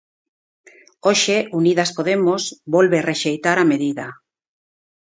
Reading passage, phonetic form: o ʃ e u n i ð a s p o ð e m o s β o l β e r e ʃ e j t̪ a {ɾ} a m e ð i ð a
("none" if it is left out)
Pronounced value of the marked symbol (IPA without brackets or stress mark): ɾ